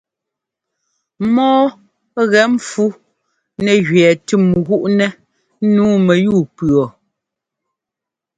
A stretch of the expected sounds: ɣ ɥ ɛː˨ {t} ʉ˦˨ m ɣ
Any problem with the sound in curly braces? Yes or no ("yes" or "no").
no